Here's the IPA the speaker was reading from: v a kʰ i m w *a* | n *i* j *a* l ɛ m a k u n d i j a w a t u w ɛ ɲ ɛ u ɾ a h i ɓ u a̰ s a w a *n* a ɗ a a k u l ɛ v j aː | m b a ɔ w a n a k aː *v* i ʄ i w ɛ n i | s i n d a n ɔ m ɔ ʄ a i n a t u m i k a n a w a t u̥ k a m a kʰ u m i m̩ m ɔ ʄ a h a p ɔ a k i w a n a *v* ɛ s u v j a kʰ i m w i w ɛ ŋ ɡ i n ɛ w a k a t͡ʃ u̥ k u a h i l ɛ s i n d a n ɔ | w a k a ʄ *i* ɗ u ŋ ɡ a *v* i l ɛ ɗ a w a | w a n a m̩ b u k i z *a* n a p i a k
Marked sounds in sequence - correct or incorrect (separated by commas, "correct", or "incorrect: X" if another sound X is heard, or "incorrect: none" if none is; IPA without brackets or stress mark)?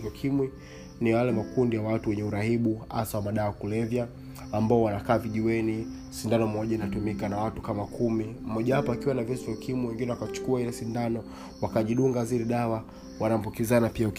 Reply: incorrect: i, correct, correct, incorrect: m, correct, correct, correct, incorrect: z, correct